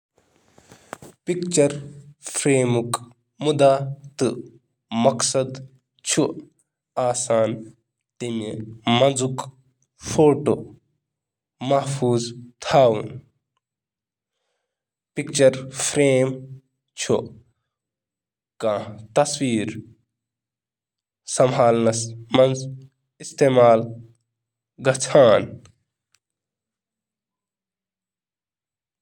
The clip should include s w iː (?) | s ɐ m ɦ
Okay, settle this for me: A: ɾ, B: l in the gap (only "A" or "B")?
A